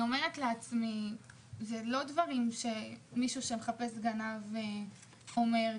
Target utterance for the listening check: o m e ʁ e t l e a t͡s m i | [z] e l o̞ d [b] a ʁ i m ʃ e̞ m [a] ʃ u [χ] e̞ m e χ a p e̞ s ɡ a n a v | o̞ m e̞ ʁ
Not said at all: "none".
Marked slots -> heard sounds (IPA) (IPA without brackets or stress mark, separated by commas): z, v, i, ʃ